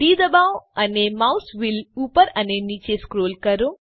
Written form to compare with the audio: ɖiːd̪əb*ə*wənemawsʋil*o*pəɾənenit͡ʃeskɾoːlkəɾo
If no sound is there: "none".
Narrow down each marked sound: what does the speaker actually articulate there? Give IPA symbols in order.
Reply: a, u

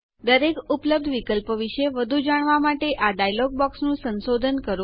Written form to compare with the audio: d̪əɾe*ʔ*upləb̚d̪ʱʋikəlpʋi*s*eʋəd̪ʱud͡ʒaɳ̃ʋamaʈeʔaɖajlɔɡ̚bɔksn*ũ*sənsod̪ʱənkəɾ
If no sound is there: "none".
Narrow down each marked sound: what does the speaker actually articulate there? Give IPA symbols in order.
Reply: k, ʃ, ũ

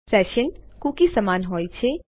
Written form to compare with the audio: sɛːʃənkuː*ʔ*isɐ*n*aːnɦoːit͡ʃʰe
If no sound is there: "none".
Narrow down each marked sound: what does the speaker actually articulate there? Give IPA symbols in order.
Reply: k, m

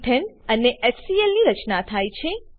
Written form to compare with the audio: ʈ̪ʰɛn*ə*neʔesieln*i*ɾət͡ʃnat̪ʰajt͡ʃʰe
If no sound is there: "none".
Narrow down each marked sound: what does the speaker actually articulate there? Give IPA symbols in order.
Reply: ə, i

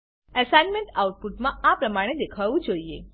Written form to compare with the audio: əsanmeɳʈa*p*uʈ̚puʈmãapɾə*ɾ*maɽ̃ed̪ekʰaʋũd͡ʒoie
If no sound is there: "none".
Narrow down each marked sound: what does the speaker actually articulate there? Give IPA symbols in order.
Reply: none, none

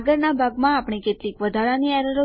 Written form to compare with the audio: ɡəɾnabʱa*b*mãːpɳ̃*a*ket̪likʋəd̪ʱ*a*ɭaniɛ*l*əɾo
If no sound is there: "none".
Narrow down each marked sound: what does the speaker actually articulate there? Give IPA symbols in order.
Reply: ɡ, i, a, ɾ

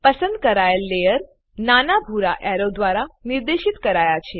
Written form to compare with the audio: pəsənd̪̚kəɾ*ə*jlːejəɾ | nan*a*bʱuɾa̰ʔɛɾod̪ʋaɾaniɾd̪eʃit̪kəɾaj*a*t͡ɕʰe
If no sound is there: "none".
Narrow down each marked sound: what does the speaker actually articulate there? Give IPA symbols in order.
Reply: a, a, a

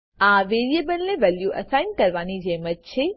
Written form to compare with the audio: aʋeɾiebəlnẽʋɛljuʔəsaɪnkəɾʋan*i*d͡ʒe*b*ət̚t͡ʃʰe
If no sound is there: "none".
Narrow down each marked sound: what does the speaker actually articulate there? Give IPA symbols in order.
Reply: i, m

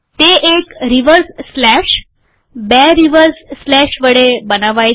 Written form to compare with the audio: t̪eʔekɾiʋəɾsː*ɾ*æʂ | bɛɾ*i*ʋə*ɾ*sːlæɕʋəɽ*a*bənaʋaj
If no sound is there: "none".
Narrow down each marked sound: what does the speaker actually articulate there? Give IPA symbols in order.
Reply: l, i, ɾ, e

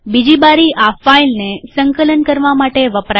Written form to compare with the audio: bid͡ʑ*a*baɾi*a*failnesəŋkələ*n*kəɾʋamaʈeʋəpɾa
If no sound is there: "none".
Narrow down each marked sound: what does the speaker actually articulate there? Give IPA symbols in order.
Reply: i, a, n

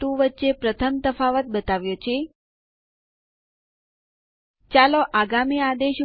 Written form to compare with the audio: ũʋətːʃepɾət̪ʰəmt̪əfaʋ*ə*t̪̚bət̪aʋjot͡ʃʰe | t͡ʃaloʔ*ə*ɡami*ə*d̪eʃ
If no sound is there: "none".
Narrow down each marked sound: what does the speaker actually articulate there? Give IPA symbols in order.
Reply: ə, a, a

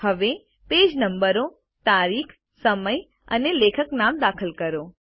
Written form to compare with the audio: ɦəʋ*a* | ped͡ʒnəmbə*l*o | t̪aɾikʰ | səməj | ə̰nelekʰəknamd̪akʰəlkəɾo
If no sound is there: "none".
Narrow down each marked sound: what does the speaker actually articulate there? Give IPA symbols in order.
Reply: e, ɾ

